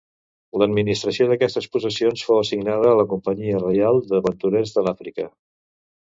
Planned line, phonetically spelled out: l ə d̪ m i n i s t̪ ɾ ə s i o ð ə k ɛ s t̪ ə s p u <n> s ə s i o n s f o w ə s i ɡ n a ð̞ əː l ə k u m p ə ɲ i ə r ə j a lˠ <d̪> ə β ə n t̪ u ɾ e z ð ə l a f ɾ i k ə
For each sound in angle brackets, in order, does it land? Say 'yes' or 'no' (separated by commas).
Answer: no, yes